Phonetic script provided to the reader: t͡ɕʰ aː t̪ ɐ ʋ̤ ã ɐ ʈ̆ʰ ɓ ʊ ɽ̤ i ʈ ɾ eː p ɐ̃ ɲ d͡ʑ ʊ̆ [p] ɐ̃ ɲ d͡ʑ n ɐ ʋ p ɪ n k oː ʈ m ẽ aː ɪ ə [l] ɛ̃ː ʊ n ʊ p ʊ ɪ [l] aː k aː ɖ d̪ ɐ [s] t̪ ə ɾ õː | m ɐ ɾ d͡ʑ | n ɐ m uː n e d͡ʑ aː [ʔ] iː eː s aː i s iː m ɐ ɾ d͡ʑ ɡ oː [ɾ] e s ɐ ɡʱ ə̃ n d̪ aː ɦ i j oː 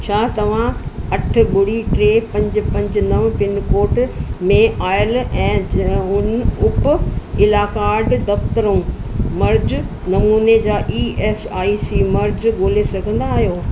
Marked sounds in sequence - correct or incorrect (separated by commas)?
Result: correct, correct, correct, incorrect, correct, incorrect